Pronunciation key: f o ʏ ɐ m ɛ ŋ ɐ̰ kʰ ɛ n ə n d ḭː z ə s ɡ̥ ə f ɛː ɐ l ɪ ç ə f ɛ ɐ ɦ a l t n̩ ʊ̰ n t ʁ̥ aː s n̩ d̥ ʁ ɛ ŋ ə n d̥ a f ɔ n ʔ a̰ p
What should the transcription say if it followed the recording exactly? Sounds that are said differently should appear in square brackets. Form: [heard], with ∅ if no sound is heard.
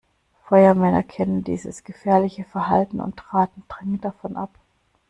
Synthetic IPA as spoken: f [ɔ] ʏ ɐ m ɛ [n] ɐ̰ kʰ ɛ n ə n d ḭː z ə s ɡ̥ ə f ɛː ɐ l ɪ ç ə f ɛ ɐ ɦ a l t n̩ ʊ̰ n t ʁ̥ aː [t] n̩ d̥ ʁ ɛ ŋ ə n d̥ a f ɔ n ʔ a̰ p